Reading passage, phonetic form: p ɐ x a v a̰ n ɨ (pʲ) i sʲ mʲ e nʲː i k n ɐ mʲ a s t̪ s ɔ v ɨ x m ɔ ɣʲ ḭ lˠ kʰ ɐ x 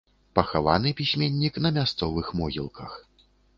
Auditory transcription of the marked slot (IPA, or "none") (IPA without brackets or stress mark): pʲ